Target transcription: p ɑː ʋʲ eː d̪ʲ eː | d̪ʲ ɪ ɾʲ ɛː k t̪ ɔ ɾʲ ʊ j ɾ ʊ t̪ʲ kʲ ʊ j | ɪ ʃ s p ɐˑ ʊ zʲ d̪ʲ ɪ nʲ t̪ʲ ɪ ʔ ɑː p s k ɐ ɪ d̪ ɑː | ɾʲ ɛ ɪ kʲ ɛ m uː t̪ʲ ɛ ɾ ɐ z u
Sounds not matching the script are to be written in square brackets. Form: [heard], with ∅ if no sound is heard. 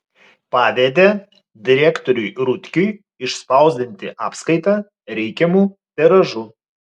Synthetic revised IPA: p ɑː ʋʲ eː d̪ʲ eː | d̪ʲ ɪ ɾʲ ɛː k t̪ ɔ ɾʲ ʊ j ɾ ʊ t̪ʲ kʲ ʊ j | ɪ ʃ s p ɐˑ ʊ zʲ d̪ʲ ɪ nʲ t̪ʲ ɪ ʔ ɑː p s k ɐ ɪ [t̪] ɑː | ɾʲ ɛ ɪ kʲ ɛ m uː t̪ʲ ɛ ɾ ɐ [ʒ] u